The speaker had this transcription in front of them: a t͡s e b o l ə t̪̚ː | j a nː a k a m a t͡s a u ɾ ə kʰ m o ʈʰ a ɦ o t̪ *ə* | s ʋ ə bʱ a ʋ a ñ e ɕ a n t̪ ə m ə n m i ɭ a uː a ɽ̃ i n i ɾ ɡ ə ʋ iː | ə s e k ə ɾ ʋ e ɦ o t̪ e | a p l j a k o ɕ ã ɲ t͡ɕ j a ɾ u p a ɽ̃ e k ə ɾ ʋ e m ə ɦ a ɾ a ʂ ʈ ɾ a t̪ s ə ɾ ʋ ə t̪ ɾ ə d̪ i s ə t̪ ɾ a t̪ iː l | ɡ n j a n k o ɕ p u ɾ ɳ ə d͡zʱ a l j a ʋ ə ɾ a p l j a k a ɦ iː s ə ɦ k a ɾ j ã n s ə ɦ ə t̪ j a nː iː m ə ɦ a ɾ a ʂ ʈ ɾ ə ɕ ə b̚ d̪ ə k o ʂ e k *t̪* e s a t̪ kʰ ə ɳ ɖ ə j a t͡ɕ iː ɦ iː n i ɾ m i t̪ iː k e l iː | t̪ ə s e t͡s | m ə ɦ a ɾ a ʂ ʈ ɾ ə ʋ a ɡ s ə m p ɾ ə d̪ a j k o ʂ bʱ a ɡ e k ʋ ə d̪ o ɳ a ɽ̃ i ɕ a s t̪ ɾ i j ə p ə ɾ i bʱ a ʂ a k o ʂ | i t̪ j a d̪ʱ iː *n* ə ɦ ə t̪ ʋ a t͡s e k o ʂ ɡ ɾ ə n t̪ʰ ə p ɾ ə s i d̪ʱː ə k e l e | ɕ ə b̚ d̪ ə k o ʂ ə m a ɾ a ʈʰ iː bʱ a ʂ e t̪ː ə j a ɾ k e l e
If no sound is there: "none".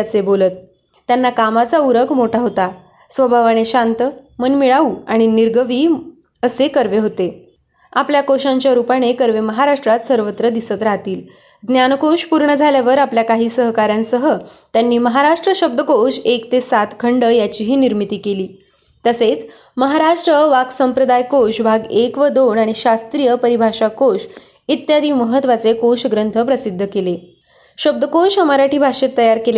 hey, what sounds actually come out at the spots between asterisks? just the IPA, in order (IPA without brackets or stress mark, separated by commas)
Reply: a, t̪, m